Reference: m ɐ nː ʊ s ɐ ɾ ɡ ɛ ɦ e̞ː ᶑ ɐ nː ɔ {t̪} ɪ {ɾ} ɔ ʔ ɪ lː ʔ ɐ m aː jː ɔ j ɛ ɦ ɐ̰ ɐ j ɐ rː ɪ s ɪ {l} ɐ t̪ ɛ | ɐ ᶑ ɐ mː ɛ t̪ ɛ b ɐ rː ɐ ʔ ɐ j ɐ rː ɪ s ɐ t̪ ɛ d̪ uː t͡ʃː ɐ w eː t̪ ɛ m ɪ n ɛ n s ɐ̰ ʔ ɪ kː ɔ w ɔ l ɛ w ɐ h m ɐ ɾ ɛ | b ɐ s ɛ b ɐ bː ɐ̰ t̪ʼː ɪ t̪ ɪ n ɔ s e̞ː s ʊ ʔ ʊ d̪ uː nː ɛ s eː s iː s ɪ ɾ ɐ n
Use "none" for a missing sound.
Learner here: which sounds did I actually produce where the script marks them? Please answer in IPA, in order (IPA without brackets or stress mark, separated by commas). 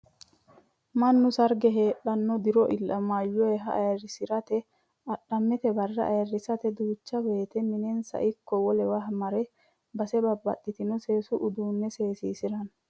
d̪, ɾ, ɾ